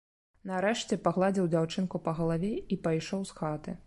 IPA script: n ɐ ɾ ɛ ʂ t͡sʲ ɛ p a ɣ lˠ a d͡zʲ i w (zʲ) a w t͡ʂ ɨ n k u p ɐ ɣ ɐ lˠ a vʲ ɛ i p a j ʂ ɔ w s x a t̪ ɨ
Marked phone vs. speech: incorrect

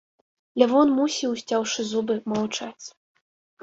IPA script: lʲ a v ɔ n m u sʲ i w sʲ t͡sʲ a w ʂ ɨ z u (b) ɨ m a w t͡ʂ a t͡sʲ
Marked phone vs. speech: correct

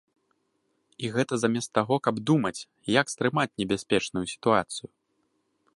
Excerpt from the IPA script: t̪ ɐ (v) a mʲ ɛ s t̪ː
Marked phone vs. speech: incorrect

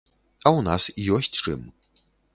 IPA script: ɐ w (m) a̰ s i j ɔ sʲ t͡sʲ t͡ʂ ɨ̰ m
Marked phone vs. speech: incorrect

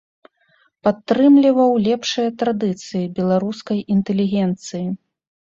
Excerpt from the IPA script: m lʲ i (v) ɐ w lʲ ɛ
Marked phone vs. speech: correct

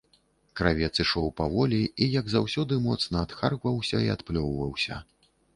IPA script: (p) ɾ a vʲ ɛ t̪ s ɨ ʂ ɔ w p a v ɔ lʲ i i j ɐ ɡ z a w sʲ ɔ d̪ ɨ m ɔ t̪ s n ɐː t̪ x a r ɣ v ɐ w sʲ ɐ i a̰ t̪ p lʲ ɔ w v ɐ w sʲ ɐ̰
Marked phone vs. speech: incorrect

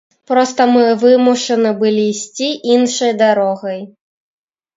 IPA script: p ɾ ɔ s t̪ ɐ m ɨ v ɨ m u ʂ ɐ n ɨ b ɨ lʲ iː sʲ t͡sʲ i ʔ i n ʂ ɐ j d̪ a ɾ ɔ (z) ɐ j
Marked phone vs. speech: incorrect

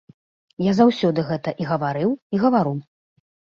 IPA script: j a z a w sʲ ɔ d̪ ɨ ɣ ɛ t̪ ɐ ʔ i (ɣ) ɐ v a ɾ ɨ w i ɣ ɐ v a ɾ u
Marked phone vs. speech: correct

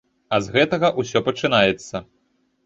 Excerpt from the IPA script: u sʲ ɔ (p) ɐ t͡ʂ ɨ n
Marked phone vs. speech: correct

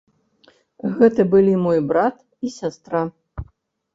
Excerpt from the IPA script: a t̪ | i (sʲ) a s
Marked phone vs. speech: correct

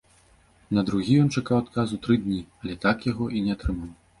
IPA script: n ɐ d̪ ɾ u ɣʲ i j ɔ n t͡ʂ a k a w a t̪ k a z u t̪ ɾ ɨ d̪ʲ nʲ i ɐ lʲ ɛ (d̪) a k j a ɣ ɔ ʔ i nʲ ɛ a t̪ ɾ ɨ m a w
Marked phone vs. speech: incorrect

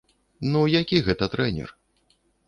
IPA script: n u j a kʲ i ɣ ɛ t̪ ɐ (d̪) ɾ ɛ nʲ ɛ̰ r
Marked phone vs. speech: incorrect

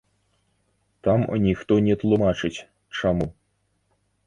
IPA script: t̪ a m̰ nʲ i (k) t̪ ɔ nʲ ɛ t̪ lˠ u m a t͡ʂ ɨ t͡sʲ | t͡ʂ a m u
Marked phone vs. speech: incorrect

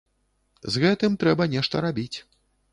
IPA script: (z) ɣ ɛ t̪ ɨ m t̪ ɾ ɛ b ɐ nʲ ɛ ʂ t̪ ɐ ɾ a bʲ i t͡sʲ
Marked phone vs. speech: correct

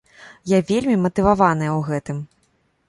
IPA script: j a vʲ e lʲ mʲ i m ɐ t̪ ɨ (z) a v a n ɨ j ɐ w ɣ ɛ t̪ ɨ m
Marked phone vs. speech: incorrect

